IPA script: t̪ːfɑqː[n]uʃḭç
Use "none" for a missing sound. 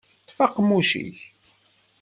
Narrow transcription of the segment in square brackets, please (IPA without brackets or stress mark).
m